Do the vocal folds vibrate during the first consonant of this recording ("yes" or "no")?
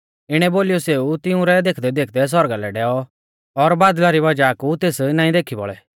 yes